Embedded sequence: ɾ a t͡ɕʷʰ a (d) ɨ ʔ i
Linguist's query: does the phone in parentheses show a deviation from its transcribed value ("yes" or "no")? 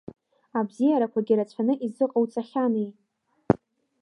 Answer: yes